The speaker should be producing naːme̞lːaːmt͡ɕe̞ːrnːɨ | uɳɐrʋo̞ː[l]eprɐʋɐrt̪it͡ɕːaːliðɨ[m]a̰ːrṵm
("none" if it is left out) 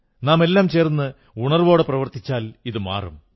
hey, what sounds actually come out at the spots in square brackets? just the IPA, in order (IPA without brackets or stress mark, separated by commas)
ɽ, m